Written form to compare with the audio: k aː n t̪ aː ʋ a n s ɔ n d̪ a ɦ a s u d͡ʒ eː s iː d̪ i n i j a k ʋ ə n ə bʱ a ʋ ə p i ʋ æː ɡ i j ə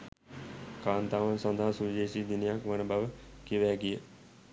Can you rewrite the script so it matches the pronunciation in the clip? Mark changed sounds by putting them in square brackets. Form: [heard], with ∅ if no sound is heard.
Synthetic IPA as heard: k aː n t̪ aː ʋ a n s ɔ n d̪ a ɦ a s u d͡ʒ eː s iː d̪ i n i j a k ʋ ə n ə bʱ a ʋ ə [k] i ʋ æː ɡ i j ə